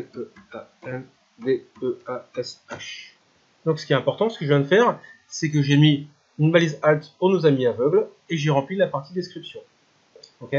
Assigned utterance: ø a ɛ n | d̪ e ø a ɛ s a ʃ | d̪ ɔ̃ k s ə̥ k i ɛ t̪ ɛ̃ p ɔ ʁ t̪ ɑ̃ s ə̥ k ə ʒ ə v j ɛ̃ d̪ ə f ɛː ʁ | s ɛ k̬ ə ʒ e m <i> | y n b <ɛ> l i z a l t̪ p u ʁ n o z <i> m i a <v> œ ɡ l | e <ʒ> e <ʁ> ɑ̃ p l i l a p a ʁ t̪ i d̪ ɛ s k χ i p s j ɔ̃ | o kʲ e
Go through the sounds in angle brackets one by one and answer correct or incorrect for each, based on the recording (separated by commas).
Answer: correct, incorrect, incorrect, correct, correct, correct